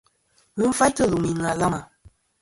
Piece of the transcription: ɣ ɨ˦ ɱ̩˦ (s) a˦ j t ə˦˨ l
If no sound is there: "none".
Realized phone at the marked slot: f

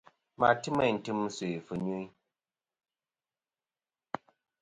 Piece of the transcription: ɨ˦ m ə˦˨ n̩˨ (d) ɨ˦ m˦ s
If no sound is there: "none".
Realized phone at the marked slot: t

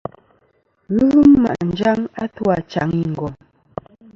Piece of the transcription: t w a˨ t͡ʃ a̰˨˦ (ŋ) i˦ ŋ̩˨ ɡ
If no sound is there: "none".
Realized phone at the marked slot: ŋ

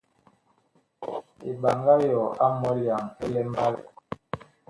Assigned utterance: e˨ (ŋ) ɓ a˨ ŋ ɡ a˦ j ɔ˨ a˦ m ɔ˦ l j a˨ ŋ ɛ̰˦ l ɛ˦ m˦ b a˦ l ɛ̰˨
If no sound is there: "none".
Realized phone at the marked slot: none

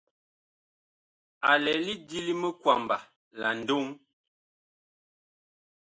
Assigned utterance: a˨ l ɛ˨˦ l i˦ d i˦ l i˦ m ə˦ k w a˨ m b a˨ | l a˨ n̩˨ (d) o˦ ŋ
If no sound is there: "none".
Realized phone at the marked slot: d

